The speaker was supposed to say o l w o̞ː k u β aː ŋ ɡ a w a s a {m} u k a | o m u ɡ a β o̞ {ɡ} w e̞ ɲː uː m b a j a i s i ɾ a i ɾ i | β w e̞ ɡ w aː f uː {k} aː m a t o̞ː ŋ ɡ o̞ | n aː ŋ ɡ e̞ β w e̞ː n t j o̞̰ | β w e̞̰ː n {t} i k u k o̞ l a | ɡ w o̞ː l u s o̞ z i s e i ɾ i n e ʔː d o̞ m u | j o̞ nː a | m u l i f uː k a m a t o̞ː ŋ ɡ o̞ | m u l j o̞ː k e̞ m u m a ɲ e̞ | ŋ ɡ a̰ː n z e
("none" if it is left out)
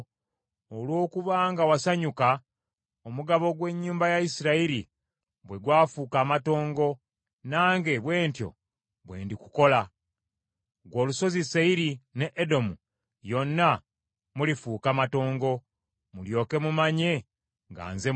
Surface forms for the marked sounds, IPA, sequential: ɲ, ɡ, k, d

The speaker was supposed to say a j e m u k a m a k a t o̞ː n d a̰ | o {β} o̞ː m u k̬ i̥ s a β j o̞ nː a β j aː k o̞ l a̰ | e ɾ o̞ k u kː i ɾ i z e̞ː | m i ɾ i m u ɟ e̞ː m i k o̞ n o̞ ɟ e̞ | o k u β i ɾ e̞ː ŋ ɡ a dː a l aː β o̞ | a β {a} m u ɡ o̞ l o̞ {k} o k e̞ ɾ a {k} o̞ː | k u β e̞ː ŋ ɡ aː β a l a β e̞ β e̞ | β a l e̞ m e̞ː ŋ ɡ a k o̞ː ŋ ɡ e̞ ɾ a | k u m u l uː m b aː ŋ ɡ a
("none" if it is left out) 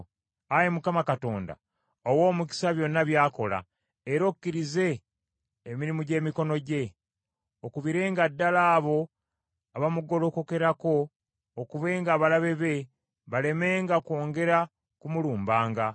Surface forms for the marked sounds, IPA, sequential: w, a, k, k

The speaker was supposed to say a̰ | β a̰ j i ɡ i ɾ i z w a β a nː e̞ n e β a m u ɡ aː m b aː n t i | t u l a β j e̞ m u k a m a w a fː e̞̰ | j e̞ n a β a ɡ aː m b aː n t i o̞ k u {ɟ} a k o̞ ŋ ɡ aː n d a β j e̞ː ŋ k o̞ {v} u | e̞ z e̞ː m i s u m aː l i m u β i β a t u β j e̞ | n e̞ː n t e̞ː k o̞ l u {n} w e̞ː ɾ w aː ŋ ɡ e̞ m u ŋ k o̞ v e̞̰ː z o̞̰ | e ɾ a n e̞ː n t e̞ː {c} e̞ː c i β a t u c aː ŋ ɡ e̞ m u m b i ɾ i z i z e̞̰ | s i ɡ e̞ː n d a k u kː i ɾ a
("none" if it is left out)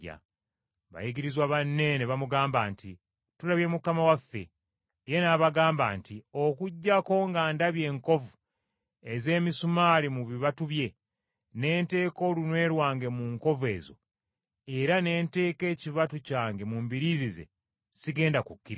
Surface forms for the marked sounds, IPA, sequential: ɟː, v, n, k

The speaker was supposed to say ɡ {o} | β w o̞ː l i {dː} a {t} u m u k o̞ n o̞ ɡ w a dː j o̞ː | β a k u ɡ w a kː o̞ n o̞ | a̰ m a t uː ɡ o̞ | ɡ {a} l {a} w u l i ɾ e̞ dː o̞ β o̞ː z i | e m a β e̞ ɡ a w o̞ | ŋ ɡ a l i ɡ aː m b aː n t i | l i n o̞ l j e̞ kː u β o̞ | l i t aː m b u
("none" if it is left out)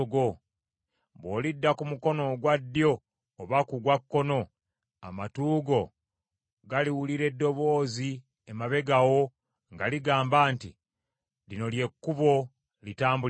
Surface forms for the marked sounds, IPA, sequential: o, dː, k, a, i

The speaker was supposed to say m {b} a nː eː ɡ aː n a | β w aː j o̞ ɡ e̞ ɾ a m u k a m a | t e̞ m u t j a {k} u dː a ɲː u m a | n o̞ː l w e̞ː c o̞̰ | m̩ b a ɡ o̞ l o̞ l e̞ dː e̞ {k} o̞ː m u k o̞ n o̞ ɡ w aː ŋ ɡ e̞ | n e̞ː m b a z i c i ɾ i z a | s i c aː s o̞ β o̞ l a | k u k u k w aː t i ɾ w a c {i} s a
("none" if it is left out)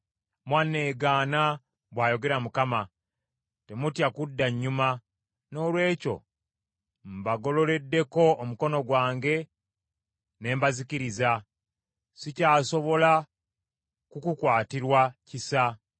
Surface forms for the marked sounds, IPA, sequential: w, k, k, i

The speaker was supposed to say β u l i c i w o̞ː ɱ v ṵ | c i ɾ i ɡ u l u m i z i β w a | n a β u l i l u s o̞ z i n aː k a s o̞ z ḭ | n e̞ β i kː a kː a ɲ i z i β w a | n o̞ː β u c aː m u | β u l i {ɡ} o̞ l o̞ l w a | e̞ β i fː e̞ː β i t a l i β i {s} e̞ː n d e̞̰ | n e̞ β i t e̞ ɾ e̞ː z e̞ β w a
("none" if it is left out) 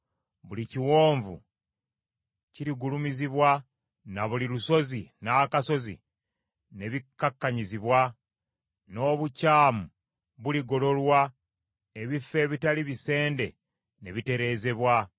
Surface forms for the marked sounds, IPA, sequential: ɡ, s

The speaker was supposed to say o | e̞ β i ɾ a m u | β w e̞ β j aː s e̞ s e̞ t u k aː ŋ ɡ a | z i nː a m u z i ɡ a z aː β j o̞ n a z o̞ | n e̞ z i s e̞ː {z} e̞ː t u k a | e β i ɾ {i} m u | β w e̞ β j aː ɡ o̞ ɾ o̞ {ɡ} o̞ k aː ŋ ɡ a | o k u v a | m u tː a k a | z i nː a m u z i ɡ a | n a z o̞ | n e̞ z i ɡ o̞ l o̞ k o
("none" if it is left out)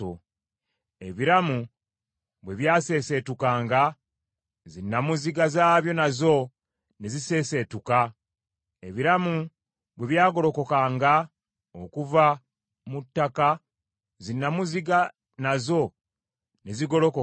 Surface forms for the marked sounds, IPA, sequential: s, a, k

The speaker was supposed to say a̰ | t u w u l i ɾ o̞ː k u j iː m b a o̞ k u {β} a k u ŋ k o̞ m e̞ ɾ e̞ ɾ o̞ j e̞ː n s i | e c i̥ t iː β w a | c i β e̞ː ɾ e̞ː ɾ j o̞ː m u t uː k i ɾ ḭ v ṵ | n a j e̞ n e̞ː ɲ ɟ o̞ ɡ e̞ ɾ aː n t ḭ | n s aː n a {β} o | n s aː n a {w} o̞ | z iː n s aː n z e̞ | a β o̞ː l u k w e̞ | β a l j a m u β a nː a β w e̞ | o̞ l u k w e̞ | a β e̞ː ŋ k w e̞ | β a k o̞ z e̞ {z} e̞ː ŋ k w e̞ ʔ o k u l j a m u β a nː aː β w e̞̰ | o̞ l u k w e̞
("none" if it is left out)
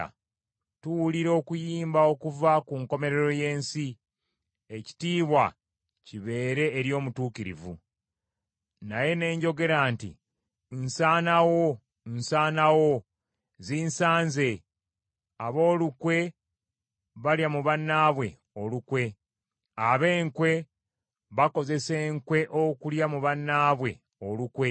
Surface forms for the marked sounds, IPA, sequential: v, w, w, s

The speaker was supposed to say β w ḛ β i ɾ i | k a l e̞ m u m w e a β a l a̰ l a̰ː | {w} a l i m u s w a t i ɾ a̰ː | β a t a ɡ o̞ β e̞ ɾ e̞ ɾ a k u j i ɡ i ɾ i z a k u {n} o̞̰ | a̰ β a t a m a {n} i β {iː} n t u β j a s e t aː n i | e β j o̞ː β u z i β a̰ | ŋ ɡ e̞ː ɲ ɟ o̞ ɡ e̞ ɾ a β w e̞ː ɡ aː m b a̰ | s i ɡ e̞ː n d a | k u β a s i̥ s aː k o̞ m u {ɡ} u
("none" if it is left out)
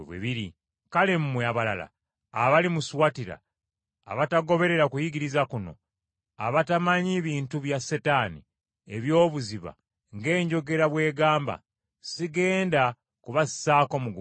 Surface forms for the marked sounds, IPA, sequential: β, n, ɲ, iː, ɡ

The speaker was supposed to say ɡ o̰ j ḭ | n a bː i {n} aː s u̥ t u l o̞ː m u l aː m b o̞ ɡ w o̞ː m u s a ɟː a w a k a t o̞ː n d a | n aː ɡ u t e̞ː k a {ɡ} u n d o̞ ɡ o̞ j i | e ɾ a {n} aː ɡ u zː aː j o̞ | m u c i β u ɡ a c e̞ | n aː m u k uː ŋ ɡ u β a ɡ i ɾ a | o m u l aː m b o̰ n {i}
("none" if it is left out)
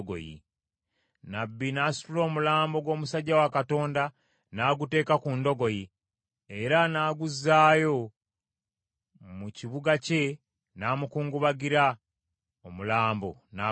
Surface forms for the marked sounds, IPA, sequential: n, k, n, a

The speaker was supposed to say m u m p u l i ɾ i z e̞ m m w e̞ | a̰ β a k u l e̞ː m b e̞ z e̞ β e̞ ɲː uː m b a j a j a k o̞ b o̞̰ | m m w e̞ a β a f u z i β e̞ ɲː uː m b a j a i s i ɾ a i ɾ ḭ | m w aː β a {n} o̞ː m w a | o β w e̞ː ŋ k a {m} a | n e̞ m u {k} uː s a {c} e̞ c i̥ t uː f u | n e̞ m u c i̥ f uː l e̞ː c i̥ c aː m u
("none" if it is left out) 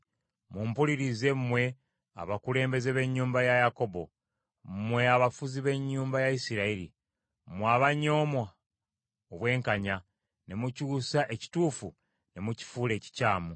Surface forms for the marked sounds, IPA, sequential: ɲ, ɲ, c, ʔ

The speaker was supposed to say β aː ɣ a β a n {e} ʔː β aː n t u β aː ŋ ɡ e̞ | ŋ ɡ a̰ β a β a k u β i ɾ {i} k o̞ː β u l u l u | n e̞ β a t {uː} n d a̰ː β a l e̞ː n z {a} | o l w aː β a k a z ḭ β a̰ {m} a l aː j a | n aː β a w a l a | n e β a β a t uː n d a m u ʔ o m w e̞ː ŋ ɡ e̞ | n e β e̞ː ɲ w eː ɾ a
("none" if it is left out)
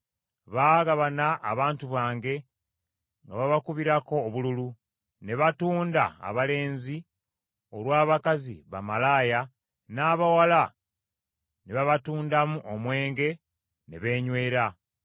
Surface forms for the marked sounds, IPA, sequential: a, a, uː, i, m

